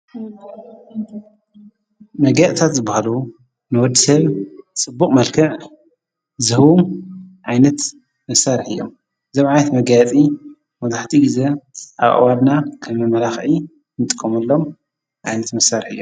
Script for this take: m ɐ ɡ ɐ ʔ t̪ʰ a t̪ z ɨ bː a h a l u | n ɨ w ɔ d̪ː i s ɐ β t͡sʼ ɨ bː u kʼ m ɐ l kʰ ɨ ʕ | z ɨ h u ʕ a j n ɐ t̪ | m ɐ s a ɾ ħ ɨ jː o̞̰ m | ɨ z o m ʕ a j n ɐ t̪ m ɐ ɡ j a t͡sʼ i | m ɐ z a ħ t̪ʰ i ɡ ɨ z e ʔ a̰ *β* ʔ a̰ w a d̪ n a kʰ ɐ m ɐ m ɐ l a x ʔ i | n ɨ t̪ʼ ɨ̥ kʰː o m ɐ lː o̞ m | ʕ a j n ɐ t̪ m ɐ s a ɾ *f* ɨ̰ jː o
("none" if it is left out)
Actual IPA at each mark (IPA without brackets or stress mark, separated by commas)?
β, ħ